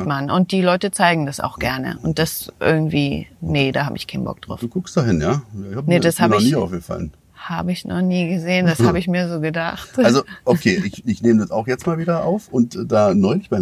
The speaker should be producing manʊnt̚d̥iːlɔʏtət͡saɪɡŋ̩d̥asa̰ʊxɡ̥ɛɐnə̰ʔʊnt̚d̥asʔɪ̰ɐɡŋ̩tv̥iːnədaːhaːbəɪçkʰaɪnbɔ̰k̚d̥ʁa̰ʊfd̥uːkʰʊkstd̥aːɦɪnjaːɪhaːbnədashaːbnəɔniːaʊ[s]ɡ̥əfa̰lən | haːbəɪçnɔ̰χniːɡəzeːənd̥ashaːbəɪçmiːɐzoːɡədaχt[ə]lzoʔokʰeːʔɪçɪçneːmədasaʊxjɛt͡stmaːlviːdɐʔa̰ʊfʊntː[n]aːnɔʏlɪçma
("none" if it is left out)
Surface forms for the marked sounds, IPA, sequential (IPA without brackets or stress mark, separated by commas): f, a, d